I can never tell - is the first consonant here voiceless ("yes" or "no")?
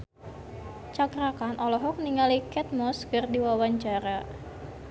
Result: yes